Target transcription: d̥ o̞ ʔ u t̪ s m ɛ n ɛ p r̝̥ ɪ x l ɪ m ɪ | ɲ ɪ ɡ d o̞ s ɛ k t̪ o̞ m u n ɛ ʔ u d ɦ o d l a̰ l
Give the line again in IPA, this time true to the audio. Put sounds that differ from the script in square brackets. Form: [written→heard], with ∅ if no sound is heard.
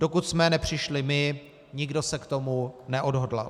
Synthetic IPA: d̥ o̞ [ʔ→k] u t̪ s m ɛ n ɛ p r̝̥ ɪ [x→ʃ] l ɪ m ɪ | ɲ ɪ ɡ d o̞ s ɛ k t̪ o̞ m u n ɛ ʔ [u→o] d ɦ o d l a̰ l